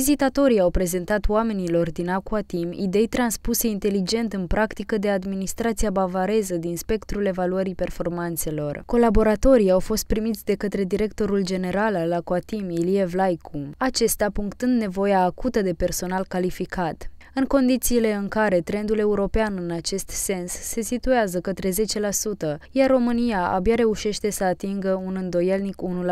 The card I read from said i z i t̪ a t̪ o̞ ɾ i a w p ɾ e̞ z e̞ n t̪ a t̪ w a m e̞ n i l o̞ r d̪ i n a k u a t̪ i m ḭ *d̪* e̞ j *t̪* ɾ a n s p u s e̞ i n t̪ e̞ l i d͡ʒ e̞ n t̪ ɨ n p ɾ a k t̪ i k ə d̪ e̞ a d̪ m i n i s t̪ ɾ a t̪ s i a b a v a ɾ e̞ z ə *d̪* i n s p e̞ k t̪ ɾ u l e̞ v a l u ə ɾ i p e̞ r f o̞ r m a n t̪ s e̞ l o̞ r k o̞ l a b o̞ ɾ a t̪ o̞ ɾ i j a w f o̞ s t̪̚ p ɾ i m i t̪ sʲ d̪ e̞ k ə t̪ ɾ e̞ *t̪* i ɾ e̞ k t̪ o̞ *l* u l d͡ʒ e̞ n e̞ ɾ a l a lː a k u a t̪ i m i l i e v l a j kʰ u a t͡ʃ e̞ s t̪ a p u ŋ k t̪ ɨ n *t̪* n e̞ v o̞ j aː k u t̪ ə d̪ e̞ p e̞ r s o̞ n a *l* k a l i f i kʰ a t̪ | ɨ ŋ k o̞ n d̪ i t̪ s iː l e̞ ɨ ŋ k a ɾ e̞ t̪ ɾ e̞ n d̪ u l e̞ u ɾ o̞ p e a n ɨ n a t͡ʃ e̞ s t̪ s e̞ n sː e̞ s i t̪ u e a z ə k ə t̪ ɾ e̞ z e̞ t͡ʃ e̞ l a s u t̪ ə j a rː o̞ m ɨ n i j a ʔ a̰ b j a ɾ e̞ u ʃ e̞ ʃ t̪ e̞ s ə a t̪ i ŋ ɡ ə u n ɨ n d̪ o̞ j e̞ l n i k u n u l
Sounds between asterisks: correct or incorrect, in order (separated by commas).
correct, correct, correct, incorrect, incorrect, incorrect, correct